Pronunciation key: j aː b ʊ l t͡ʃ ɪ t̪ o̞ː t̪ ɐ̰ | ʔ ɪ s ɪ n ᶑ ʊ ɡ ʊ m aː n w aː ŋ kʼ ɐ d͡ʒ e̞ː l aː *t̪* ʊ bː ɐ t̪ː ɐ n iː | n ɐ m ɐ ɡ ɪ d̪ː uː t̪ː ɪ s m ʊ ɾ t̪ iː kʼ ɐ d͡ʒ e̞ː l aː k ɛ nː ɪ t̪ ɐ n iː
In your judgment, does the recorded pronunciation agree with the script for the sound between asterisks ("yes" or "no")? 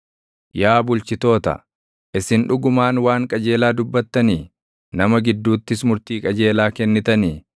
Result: no